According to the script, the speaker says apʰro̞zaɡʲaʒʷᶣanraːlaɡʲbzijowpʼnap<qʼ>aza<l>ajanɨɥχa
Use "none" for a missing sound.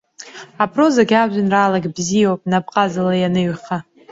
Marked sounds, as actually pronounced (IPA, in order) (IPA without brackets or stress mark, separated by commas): qʼ, l